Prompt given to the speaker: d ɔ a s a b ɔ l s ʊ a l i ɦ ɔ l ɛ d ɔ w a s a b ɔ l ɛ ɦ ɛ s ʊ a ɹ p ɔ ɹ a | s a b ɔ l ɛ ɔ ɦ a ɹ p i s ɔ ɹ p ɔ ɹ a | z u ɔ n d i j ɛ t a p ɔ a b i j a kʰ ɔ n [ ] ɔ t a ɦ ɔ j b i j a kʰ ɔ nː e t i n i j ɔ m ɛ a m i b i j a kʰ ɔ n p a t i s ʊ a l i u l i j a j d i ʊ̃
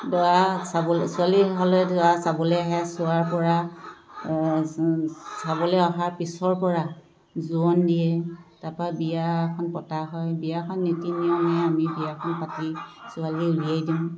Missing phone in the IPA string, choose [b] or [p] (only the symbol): p